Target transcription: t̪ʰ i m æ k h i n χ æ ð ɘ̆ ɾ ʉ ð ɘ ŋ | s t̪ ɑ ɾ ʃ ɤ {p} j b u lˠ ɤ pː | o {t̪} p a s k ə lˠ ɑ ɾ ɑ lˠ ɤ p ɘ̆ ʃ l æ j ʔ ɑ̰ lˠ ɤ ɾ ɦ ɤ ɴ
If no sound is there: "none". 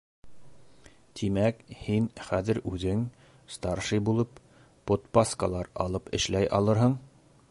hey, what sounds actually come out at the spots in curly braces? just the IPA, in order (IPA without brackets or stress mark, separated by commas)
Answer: none, t̪